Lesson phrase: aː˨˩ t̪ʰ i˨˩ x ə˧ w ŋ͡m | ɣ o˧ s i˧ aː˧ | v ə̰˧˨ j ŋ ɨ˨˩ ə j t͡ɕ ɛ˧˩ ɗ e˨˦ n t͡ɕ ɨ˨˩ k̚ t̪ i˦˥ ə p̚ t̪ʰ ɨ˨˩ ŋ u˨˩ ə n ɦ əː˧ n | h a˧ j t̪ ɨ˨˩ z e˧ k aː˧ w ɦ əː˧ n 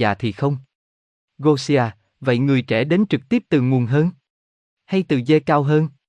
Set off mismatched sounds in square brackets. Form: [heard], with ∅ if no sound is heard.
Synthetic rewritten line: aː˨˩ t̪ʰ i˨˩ x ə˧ w ŋ͡m | ɣ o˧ s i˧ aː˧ | v ə̰˧˨ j ŋ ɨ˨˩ ə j t͡ɕ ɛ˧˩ ɗ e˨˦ n t͡ɕ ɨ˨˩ k̚ t̪ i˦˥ ə p̚ [t̪] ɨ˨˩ ŋ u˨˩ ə n ɦ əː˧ n | h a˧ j t̪ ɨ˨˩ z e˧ k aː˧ w ɦ əː˧ n